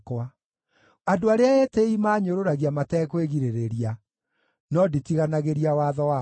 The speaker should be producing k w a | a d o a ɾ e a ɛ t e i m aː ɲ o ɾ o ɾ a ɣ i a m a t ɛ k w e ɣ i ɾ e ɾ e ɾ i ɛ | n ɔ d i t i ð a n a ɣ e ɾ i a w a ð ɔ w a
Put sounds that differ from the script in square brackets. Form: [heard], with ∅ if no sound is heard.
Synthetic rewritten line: k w a | a d o a ɾ e a ɛ t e i m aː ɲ o ɾ o ɾ a ɣ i a m a t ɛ k w e ɣ i ɾ e ɾ e ɾ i [a] | n ɔ d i t i [ɣ] a n a ɣ e ɾ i a w a ð ɔ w a